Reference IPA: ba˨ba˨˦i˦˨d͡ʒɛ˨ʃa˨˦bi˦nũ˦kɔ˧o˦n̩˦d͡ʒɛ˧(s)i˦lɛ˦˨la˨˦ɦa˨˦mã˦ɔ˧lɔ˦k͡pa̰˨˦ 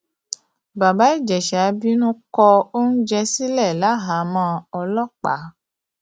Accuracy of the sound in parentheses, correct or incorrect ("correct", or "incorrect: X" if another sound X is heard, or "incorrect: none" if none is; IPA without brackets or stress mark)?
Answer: correct